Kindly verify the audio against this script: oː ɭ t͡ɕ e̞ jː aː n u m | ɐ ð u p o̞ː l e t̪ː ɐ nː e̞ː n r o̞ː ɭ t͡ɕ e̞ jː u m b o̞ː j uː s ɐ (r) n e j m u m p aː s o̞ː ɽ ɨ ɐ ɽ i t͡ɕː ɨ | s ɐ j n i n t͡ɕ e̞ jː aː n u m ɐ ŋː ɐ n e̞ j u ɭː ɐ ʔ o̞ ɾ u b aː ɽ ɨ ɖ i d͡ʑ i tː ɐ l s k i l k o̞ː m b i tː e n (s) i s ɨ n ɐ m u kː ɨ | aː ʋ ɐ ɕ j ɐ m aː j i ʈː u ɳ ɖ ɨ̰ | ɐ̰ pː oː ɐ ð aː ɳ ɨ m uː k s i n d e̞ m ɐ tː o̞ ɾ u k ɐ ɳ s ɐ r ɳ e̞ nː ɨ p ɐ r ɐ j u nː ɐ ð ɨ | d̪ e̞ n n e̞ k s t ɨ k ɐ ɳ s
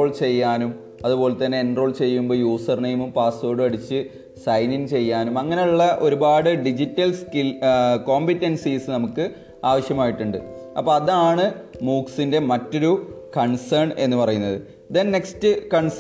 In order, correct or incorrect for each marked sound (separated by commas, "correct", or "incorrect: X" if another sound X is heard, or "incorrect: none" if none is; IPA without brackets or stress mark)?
correct, correct